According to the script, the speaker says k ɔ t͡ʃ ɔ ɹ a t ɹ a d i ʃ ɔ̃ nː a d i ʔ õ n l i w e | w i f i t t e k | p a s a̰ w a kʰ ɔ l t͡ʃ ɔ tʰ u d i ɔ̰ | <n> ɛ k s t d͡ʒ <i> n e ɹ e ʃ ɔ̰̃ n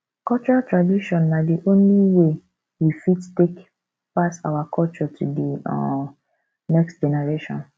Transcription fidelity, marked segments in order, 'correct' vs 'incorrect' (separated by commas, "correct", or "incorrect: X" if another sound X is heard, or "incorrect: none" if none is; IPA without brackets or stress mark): correct, incorrect: ɛ